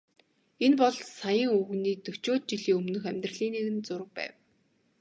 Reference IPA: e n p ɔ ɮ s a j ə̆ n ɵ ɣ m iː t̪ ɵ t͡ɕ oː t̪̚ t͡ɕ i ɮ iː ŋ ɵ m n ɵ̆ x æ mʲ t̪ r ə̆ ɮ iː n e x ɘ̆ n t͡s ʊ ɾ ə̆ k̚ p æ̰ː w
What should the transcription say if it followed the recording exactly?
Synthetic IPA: e n p ɔ ɮ s a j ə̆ ŋ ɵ ɣ n iː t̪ ɵ t͡ɕ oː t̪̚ t͡ɕ i ɮ iː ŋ ɵ m n ɵ̆ x æ mʲ t̪ r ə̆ ɮ iː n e ɣ ɘ̆ n t͡s ʊ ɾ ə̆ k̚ p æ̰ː w